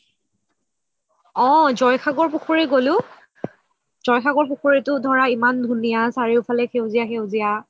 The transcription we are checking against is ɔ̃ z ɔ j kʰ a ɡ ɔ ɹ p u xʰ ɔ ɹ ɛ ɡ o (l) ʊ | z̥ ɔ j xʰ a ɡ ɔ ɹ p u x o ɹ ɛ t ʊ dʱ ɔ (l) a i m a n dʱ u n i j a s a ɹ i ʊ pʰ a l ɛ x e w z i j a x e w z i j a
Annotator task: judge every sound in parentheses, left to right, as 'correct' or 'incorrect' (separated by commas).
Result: correct, incorrect